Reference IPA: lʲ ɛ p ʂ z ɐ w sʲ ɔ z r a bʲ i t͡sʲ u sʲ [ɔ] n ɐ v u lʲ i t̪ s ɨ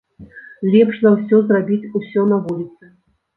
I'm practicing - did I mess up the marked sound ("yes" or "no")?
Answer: no